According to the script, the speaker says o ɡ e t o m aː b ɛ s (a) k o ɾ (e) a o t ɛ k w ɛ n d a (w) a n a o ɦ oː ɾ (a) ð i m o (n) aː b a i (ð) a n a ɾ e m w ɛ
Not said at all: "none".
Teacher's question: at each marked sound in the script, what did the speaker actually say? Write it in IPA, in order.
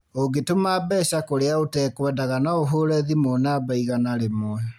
a, e, ɣ, ɛ, n, ɣ

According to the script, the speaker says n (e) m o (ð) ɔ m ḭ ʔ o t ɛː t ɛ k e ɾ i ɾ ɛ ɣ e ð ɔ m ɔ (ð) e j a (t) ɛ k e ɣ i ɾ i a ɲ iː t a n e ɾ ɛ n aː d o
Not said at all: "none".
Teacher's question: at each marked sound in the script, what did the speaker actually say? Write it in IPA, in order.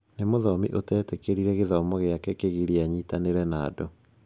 e, ð, ɣ, k

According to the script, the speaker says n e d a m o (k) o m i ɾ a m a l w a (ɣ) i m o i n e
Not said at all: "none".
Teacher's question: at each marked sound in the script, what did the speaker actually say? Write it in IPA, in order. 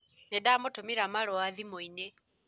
t, ð

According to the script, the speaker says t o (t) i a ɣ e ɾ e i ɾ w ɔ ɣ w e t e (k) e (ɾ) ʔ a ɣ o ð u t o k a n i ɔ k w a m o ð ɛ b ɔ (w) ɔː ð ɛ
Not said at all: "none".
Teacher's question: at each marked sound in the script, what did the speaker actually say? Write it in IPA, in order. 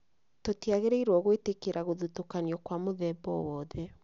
t, k, ɾ, w

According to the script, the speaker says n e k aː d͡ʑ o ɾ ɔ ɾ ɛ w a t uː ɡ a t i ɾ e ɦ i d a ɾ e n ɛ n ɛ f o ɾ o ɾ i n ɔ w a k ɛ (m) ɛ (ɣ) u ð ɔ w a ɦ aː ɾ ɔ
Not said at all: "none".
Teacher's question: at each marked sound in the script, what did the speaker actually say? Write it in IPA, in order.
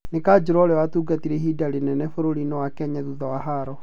ɲ, ð

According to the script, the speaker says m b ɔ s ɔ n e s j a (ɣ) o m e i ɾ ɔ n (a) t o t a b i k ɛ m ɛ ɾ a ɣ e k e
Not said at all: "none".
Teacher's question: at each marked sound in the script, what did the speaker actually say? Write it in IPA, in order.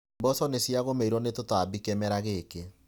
ɣ, e

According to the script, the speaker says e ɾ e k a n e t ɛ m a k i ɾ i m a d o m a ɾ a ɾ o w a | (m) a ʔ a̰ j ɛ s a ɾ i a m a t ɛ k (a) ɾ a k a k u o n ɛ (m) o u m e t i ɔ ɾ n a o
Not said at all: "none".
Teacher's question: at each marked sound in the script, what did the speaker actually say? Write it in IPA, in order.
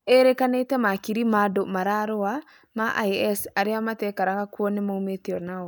m, a, m

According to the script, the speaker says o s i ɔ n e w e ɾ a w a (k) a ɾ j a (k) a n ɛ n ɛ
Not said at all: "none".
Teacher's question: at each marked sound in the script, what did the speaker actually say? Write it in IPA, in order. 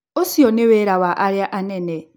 ʔ, ʔ

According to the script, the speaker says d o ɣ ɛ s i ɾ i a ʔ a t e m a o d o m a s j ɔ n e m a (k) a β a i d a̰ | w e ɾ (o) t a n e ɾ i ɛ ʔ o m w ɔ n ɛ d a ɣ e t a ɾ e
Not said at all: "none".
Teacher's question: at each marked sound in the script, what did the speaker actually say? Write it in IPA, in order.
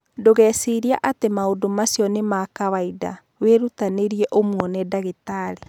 k, u

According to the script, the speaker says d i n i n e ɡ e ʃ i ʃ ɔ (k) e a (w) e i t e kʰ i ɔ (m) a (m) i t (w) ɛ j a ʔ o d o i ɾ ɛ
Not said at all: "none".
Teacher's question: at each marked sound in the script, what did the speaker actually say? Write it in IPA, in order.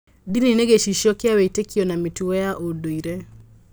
k, w, n, m, u

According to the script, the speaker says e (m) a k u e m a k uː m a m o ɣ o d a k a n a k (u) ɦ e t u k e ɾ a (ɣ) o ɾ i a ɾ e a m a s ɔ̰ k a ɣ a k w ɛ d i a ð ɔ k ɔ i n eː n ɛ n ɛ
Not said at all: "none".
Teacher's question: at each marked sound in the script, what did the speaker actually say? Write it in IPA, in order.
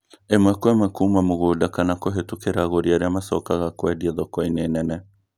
m, o, ɣ

